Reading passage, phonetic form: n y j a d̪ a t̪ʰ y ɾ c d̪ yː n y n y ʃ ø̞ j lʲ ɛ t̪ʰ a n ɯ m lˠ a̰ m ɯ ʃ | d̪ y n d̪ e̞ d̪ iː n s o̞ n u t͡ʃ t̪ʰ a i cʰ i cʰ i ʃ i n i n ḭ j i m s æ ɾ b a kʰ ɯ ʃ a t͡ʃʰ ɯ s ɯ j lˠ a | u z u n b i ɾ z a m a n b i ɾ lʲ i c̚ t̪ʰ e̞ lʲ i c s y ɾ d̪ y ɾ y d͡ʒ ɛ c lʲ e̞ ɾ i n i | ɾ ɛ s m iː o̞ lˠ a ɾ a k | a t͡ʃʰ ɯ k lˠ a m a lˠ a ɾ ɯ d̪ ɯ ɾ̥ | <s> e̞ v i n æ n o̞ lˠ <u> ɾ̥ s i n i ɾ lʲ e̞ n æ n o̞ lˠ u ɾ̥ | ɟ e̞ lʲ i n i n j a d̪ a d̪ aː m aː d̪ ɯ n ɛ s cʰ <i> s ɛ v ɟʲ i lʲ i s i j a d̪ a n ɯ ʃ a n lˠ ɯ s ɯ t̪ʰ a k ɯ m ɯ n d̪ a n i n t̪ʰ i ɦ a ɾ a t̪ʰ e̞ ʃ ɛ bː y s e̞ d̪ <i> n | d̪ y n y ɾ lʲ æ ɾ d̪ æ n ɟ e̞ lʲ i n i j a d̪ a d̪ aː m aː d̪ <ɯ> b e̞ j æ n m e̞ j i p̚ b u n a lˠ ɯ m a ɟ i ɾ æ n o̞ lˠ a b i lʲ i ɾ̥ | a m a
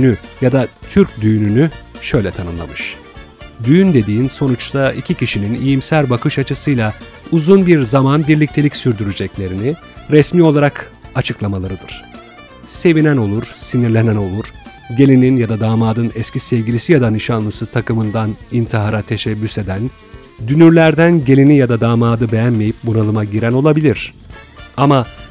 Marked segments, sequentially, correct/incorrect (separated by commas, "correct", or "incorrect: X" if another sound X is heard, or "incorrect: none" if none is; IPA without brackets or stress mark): correct, correct, correct, incorrect: æ, correct